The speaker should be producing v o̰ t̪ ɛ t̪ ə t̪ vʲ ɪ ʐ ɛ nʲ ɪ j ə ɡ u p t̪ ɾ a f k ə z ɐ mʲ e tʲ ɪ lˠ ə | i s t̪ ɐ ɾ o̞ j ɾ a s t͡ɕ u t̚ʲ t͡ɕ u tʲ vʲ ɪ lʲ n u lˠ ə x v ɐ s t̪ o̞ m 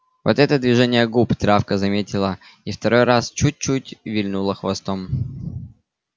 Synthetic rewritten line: v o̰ t̪ ɛ t̪ ə d̪ vʲ ɪ ʐ ɛ nʲ ɪ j ə ɡ u p t̪ ɾ a f k ə z ɐ mʲ e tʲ ɪ lˠ ə | i f t̪ ɐ ɾ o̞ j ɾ a s t͡ɕ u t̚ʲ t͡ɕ u tʲ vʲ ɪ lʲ n u lˠ ə x v ɐ s t̪ o̞ m